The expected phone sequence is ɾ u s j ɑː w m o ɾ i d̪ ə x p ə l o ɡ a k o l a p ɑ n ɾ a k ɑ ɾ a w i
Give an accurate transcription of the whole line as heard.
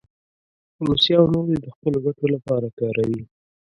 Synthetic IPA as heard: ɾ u s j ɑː w n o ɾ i d̪ ə x p ə l o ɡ a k o l a p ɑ ɾ a k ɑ ɾ a w i